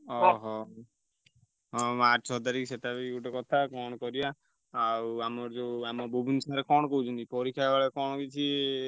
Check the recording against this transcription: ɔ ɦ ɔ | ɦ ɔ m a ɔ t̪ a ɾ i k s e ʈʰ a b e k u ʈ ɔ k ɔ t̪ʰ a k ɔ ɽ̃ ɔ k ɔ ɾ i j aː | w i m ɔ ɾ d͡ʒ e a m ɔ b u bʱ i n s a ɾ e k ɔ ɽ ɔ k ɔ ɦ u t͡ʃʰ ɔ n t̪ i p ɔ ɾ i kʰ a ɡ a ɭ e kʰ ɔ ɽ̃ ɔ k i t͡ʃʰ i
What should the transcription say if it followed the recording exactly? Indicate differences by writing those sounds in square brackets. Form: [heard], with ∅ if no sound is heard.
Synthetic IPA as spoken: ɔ ɦ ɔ | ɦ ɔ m a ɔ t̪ a ɾ i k s e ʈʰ a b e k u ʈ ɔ k ɔ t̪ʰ a k ɔ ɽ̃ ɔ k ɔ ɾ i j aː | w [a] m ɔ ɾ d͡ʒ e a m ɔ b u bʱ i n s a ɾ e k ɔ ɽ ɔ k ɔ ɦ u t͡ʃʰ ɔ n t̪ i p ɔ ɾ i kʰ a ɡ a ɭ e [k] ɔ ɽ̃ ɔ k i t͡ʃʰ i